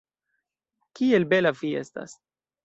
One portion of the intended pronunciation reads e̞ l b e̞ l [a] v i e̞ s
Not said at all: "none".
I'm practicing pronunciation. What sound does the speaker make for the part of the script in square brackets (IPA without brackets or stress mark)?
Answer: a